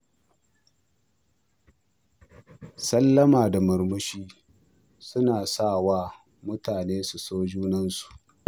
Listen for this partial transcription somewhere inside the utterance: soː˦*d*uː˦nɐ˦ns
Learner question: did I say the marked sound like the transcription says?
no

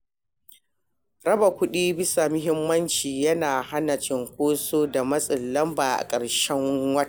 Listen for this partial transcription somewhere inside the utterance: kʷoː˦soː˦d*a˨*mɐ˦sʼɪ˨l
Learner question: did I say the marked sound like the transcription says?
yes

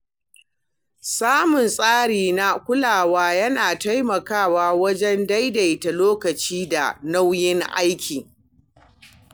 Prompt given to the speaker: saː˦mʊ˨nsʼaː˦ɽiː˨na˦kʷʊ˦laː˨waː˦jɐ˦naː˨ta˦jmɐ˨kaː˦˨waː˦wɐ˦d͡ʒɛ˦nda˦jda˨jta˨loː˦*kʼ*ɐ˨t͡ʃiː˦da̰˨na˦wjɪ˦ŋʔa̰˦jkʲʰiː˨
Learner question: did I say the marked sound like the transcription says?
no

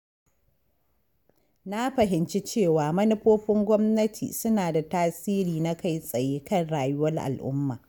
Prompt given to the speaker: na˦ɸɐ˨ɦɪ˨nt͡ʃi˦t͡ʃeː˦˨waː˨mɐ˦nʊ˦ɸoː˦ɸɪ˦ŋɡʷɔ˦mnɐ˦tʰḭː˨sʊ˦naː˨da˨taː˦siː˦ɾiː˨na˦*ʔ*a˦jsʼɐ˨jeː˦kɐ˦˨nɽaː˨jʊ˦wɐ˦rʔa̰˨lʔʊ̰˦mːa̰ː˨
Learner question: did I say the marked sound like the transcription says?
no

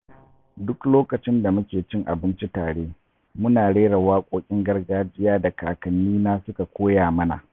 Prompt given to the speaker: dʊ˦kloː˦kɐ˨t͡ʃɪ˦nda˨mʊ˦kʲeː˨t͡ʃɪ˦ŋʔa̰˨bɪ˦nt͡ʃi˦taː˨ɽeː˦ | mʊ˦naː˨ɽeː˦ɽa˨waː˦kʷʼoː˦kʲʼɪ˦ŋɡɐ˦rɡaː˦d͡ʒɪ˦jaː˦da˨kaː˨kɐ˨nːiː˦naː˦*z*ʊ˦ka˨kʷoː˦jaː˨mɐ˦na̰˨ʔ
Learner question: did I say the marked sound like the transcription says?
no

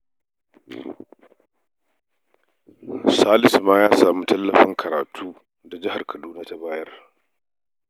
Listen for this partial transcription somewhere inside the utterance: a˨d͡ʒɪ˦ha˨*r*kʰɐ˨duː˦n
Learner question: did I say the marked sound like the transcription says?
yes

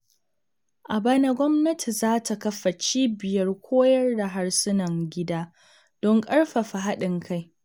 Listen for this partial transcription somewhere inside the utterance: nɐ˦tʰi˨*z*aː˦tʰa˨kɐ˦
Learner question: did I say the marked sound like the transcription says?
yes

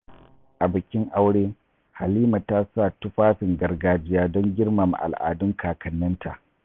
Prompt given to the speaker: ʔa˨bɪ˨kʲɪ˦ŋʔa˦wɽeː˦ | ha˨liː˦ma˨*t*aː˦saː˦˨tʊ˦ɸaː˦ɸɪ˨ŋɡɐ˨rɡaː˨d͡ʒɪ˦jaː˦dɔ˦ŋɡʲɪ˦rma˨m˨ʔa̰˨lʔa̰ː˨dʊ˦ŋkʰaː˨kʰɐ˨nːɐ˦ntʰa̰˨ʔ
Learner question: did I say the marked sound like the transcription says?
yes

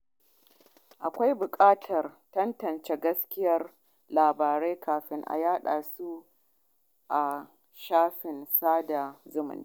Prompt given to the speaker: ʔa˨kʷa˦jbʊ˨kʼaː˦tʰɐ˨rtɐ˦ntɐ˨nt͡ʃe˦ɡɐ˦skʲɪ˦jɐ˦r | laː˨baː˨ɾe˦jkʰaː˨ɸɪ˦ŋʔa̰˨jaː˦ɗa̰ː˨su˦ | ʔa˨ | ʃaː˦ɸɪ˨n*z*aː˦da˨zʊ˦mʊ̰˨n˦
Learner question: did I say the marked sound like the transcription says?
no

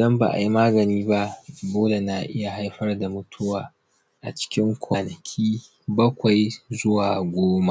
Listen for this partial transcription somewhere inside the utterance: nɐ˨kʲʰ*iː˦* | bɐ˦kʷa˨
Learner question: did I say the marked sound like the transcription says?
yes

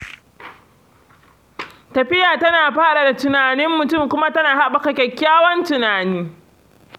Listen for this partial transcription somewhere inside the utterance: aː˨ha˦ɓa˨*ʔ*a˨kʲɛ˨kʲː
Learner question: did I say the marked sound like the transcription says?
no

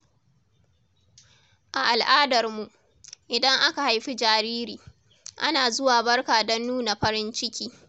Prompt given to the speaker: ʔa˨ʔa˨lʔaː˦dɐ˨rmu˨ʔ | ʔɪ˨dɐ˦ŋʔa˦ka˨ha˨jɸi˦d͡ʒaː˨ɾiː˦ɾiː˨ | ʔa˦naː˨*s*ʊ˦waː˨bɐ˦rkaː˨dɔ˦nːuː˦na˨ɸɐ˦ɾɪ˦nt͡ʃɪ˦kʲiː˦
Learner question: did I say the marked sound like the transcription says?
no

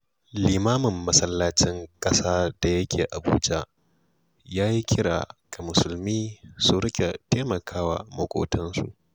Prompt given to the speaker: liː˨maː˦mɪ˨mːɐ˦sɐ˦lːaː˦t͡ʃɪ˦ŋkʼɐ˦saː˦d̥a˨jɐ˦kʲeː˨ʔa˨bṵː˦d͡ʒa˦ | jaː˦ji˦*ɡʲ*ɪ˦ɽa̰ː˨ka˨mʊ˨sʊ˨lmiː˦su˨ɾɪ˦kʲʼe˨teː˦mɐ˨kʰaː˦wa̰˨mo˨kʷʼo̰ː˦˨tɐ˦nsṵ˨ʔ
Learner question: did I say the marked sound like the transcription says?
no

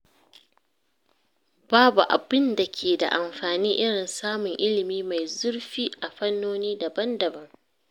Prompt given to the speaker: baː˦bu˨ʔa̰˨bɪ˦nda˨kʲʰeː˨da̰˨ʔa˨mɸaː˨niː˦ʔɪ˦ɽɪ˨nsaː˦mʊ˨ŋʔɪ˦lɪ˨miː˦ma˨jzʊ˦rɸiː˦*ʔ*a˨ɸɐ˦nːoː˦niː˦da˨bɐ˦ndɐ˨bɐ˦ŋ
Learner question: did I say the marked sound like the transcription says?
yes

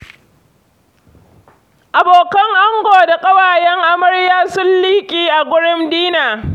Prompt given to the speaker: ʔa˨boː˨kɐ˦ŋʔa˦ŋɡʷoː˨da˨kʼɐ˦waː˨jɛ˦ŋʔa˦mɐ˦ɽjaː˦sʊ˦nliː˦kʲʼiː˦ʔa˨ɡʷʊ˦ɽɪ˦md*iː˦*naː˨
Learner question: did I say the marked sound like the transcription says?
yes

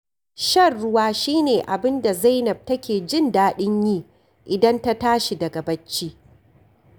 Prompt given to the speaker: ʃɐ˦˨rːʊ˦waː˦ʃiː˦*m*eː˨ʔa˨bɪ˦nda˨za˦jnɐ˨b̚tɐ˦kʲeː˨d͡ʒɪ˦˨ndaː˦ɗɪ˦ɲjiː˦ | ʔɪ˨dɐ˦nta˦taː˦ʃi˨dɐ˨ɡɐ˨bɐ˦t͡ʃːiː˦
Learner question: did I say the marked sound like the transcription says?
no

